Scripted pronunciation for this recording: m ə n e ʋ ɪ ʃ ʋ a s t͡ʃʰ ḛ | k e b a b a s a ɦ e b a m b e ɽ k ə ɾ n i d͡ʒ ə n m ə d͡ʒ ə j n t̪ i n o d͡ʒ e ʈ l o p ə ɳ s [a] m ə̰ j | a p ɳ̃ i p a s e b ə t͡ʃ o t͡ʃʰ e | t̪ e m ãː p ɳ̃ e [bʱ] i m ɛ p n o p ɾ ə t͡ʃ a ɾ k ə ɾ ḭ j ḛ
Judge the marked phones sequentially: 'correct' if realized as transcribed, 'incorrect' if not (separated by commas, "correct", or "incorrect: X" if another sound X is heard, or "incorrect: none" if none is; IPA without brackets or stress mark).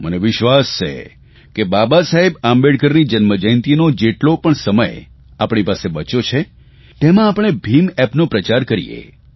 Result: incorrect: ə, correct